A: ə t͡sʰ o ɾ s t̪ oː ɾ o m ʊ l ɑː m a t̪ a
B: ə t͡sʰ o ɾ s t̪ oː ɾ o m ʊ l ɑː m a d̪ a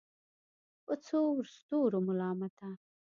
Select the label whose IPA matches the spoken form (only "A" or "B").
A